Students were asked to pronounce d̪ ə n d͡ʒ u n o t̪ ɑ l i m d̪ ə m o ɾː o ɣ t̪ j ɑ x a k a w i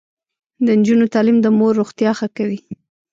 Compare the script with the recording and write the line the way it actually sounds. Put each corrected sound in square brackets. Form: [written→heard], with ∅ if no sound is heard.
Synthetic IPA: d̪ ə n d͡ʒ u n o t̪ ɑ l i m d̪ ə m o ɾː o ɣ t̪ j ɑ x a k a w i

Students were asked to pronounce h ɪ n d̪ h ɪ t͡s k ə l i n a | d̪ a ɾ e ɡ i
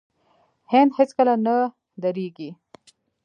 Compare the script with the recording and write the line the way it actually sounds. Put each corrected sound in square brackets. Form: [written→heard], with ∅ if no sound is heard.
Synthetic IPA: h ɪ n d̪ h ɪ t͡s k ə l [i→a] n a | d̪ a ɾ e ɡ i

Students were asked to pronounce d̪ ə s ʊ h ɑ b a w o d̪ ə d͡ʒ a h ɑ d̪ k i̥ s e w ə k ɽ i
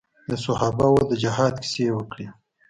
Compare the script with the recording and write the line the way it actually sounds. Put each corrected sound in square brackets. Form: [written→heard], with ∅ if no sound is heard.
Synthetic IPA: d̪ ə s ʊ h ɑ b a w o d̪ ə d͡ʒ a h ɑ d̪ k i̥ s e w ə k ɽ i

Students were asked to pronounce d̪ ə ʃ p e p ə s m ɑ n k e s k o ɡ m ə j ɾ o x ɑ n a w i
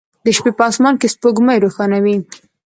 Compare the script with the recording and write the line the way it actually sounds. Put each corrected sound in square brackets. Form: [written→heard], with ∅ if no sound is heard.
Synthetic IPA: d̪ ə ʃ p e p [ə→ɑ] s m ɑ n k e s [k→p] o ɡ m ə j ɾ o x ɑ n a w i

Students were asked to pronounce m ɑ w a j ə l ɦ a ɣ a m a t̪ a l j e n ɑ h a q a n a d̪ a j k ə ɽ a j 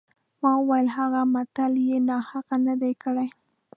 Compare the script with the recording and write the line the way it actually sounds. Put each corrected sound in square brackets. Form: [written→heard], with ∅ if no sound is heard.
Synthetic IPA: m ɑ w a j ə l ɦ a ɣ a m a t̪ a l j e n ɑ h a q a n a d̪ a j k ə ɽ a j

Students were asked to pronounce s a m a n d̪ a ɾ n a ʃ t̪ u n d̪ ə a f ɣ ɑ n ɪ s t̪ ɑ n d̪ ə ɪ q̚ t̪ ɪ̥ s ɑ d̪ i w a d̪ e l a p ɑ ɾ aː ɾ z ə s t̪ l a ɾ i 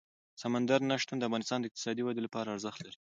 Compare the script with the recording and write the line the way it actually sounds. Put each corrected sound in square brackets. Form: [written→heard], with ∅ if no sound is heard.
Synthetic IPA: s a m a n d̪ a ɾ n a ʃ t̪ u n d̪ ə a f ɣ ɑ n ɪ s t̪ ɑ n d̪ ə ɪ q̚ t̪ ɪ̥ s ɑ d̪ i w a d̪ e l a p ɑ ɾ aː ɾ z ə [s→x] t̪ l a ɾ i

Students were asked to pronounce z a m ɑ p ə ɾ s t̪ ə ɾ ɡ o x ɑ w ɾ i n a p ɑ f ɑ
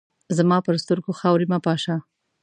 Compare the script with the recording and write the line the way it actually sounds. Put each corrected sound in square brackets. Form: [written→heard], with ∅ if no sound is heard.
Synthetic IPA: z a m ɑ p ə ɾ s t̪ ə ɾ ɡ o x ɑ w ɾ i [n→m] a p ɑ [f→ʃ] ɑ

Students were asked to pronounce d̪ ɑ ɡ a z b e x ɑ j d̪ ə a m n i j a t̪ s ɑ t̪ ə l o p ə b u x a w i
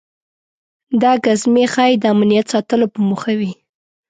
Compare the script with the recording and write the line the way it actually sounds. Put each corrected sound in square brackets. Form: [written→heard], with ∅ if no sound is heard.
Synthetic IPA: d̪ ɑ ɡ a z [b→m] e x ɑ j d̪ ə a m n i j a t̪ s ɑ t̪ ə l o p ə [b→m] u x a w i

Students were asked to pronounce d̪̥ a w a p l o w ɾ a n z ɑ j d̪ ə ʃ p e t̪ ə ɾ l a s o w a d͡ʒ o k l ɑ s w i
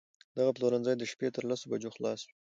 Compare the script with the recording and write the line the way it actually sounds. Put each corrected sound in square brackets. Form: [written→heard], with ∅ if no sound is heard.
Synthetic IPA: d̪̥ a [w→ɣ] a p l o [w→∅] ɾ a n z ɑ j d̪ ə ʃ p e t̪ ə ɾ l a s o [w→b] a d͡ʒ o [k→x] l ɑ s w i

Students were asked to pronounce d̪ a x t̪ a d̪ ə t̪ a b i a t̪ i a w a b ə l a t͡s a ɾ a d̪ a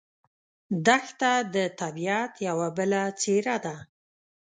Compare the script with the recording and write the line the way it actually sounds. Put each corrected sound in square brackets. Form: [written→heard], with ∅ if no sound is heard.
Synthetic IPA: d̪ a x t̪ a d̪ ə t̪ a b i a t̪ [i→j] a w a b ə l a t͡s [a→e] ɾ a d̪ a

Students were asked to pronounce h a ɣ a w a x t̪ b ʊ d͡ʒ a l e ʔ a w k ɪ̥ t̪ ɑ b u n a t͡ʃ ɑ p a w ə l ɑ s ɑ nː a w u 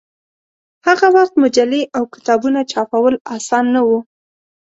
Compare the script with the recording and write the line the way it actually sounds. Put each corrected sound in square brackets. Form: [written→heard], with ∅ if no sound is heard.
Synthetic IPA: h a ɣ a w a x t̪ [b→m] ʊ d͡ʒ a l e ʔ a w k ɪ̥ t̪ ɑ b u n a t͡ʃ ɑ p a w ə l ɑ s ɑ nː a w u

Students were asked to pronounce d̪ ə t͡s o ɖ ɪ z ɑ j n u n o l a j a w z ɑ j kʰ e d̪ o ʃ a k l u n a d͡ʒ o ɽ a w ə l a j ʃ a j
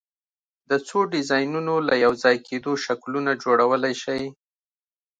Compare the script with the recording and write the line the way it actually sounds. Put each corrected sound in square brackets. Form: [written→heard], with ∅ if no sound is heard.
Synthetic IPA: d̪ ə t͡s o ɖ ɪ z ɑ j n u n o l a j a w z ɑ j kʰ e d̪ o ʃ a k l u n a d͡ʒ o ɽ a w ə l a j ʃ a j

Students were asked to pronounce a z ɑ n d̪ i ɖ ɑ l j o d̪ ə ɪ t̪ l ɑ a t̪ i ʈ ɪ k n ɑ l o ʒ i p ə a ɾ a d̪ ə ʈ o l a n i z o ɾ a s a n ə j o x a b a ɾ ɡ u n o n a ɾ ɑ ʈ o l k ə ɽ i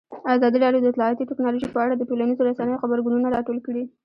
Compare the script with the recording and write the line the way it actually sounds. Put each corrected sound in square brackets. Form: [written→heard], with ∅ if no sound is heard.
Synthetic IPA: a z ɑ [n→∅] d̪ i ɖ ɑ l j o d̪ ə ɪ t̪ l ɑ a t̪ i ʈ ɪ k n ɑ l o ʒ i p ə a [ɾ→ɽ] a d̪ ə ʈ o l a n i z o ɾ a s a n ə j o x a b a ɾ ɡ u n [o→u] n a ɾ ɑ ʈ o l k ə ɽ i

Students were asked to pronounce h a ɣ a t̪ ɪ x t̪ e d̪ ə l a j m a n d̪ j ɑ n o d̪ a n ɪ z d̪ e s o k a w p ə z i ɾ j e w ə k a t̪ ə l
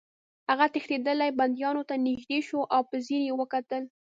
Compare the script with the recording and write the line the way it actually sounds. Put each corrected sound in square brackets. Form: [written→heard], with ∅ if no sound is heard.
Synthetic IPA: h a ɣ a t̪ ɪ x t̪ e d̪ ə l a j [m→b] a n d̪ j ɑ n o [d̪→t̪] a n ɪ [z→ʒ] d̪ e [s→ʃ] o [k→ʔ] a w p ə z i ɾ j e w ə k a t̪ ə l

